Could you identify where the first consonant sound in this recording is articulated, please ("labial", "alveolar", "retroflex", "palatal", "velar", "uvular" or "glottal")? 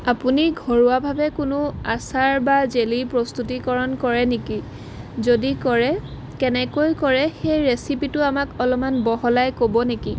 labial